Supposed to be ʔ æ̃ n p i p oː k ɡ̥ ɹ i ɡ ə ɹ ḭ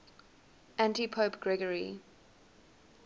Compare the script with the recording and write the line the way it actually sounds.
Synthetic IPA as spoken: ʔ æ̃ n t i pʰ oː p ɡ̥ ɹ ɛ ɡ ə ɹ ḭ